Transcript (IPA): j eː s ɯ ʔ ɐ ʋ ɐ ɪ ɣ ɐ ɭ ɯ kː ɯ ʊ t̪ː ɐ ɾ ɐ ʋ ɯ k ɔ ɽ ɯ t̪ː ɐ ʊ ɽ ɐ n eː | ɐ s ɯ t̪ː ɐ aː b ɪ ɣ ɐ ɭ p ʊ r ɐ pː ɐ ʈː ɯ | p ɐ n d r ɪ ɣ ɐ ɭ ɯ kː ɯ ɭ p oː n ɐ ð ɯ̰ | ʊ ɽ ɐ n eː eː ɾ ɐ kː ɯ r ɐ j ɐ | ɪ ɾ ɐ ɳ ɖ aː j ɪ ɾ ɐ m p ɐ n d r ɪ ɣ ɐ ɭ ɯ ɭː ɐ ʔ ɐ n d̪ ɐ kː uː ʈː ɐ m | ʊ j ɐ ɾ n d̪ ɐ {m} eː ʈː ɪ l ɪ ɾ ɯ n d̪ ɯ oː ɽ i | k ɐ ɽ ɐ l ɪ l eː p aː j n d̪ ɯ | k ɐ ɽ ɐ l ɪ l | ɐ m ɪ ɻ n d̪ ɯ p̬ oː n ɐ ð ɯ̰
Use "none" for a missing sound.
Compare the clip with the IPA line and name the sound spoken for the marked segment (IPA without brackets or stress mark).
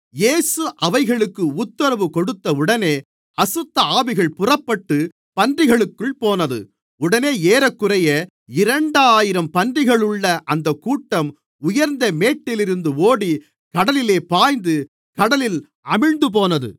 m